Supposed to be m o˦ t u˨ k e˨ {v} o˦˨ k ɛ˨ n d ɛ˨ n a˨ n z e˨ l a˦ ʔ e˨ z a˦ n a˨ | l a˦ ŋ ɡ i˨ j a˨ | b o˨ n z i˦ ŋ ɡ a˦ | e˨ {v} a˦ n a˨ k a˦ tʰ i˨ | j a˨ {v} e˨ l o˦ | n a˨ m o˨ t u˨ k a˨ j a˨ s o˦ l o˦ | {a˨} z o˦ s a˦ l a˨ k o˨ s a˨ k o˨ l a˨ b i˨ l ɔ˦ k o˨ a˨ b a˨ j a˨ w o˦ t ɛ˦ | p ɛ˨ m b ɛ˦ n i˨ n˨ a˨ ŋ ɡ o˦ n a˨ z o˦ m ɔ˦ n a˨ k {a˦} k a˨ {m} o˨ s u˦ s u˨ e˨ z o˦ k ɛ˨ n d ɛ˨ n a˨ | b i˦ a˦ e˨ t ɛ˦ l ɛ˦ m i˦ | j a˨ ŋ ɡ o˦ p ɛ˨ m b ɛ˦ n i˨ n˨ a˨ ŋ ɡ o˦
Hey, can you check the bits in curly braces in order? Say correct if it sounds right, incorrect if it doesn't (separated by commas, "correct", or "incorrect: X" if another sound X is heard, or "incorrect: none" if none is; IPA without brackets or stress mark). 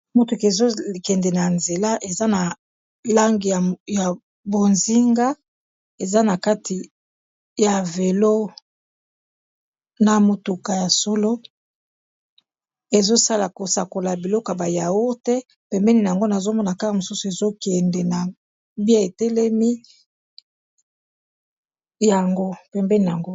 incorrect: z, incorrect: z, correct, incorrect: e˨, correct, correct